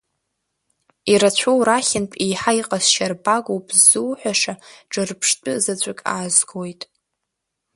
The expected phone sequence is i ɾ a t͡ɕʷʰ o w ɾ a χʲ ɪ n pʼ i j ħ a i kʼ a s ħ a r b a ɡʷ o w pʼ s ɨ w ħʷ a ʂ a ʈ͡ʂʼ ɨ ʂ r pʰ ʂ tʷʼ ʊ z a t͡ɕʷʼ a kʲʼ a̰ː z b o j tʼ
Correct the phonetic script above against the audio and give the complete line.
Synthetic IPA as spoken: i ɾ a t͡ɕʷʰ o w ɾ a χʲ ɪ n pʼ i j ħ a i qʼ a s ʃ a r b a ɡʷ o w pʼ z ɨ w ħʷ a ʂ a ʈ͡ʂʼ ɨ r pʰ ʂ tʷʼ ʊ z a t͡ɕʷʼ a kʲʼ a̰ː z ɡ o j tʼ